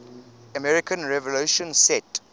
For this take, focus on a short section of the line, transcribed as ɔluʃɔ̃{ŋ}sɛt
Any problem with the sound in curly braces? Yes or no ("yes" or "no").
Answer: yes